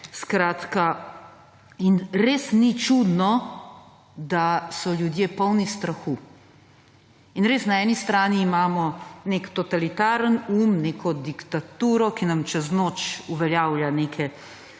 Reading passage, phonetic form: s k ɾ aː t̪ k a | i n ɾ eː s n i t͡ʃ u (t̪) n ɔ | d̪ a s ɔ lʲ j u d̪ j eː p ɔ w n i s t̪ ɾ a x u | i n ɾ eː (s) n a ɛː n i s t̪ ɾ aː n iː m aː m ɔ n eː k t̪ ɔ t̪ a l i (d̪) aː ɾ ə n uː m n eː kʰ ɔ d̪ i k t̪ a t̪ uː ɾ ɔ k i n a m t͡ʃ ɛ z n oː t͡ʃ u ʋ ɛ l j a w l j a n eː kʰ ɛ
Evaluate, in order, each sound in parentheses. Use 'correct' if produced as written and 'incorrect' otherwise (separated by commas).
incorrect, correct, incorrect